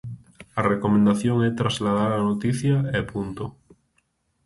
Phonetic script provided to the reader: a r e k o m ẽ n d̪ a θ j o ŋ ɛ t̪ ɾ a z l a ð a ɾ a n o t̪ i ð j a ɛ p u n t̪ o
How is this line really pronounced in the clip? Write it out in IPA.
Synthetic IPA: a r e k o m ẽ n d̪ a θ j o ŋ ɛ t̪ ɾ a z l a ð a ɾ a n o t̪ i θ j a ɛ p u n t̪ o

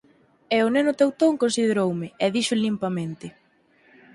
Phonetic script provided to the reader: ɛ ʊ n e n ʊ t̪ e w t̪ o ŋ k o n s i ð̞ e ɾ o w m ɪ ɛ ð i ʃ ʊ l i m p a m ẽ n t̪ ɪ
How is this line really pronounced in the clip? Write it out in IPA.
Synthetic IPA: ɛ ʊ n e n ʊ t̪ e w t̪ o ŋ k o n s i ð̞ e ɾ o w m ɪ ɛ ð i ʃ ʊ l i m p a m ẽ n t̪ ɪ

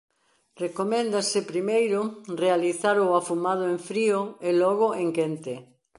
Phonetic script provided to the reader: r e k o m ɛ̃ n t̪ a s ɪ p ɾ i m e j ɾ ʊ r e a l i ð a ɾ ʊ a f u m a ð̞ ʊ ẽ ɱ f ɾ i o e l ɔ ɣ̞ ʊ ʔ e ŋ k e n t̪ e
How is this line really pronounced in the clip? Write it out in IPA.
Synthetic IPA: r e k o m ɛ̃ n d̪ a s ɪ p ɾ i m e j ɾ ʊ r e a l i θ a ɾ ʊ a f u m a ð̞ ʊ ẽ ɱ f ɾ i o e l ɔ ɣ̞ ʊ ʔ e ŋ k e n t̪ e

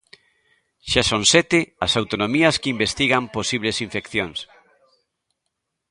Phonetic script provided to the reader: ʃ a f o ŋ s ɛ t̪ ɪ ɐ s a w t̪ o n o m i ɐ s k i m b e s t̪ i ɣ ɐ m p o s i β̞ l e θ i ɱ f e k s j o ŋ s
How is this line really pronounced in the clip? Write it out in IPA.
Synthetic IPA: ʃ a s o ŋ s ɛ t̪ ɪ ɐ s a w t̪ o n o m i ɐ s k i m b e s t̪ i ɣ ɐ m p o s i β̞ l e s i ɱ f e k θ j o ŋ s

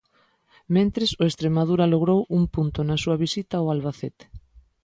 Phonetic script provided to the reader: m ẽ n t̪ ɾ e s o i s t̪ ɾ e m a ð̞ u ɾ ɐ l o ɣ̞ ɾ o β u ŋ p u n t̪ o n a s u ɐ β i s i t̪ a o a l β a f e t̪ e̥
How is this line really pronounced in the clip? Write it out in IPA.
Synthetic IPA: m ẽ n t̪ ɾ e s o e s t̪ ɾ e m a ð̞ u ɾ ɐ l o ɣ̞ ɾ o w u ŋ p u n t̪ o n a s u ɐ β i s i t̪ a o a l β a θ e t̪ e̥

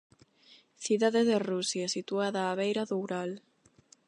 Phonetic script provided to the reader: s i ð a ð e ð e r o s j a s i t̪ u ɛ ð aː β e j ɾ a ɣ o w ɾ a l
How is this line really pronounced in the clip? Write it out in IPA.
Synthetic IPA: θ i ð a ð e ð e r u s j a s i t̪ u a ð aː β e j ɾ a ð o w ɾ a l

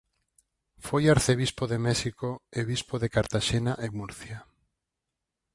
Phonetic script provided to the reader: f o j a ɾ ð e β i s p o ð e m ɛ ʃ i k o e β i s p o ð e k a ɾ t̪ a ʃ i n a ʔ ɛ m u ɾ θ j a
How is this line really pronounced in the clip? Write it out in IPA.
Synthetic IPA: f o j a ɾ θ e β i s p o ð e m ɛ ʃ i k o e β i s p o ð e k a ɾ t̪ a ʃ e n a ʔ e m u ɾ θ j a

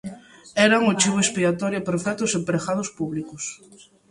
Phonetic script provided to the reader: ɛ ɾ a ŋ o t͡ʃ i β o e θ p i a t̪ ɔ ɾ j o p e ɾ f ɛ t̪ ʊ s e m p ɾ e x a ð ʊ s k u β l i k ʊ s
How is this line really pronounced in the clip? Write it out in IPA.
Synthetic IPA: ɛ ɾ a ŋ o t͡ʃ i β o e s p i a t̪ ɔ ɾ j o p e ɾ f ɛ t̪ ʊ s e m p ɾ e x a ð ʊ s p u β l i k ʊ s

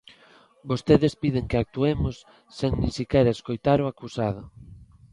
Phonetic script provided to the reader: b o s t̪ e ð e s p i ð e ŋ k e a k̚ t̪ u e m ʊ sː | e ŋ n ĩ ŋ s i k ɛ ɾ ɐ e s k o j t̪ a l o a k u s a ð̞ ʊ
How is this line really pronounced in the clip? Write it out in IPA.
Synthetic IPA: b o s t̪ e ð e s p i ð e ŋ k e a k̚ t̪ u e m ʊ sː | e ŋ n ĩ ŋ s i k ɛ ɾ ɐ e s k o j t̪ a ɾ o a k u s a ð̞ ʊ

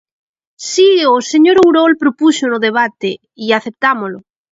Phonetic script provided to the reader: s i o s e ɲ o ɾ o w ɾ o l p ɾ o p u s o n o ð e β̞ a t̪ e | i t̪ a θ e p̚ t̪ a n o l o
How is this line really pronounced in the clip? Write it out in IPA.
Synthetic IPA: s i o s e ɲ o ɾ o w ɾ o l p ɾ o p u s o n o ð e β̞ a t̪ e | i a θ e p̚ t̪ a m o l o

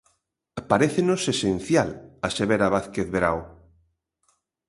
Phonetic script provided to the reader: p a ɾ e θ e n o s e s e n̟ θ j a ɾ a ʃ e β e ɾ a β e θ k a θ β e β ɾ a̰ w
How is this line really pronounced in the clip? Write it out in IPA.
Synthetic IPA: p a ɾ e θ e n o s e s e n̟ θ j a l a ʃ e β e ɾ a β a θ k e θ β e ɾ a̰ w

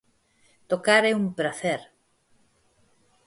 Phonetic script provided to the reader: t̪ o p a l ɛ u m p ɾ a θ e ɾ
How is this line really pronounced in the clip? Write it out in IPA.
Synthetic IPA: t̪ o k a ɾ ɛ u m p ɾ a θ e ɾ

